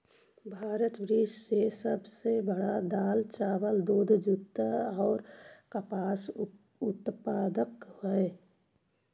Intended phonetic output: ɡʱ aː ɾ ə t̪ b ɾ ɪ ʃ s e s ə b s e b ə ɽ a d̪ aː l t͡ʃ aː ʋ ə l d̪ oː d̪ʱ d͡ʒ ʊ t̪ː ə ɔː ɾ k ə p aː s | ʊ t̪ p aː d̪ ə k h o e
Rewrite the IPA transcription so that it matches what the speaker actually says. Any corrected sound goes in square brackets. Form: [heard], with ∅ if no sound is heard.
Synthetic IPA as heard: [bʱ] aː ɾ ə t̪ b ɾ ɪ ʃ s e s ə b s e b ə ɽ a d̪ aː l t͡ʃ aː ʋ ə l d̪ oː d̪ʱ d͡ʒ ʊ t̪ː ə ɔː ɾ k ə p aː s | ʊ t̪ p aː d̪ ə k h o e